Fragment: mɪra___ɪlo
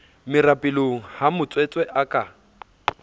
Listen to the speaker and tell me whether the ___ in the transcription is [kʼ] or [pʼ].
pʼ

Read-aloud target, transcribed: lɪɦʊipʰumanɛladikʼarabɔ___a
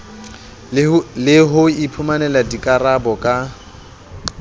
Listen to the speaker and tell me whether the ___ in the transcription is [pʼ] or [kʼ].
kʼ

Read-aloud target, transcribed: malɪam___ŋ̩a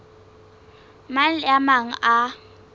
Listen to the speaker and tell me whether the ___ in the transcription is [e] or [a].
a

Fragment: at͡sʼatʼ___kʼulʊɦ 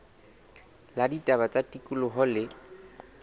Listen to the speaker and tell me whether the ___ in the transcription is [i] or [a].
i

